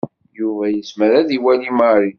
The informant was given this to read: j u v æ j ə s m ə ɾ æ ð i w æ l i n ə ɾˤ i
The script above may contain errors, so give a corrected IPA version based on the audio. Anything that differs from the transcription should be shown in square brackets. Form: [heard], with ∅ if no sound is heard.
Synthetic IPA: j u v æ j ə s m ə ɾ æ ð i w æ l i [m] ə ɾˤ i